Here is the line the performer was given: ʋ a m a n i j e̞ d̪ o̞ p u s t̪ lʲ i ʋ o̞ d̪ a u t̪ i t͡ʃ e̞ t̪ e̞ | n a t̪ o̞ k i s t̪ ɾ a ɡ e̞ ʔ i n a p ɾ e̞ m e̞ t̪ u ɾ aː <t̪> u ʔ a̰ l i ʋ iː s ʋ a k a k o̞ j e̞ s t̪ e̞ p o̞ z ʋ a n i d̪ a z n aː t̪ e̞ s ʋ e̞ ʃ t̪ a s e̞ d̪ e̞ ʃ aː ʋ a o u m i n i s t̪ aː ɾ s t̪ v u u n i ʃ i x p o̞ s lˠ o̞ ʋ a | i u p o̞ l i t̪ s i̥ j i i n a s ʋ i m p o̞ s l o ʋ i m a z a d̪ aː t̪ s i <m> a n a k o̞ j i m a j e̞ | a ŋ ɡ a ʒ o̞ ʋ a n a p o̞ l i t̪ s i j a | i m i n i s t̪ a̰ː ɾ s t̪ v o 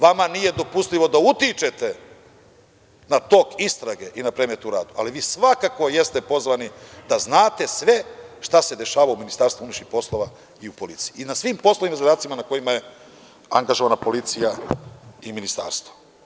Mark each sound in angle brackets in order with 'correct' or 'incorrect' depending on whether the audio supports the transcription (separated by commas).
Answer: incorrect, correct